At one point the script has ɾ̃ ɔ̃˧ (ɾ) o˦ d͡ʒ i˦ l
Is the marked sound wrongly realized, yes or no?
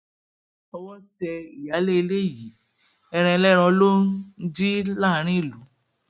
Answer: yes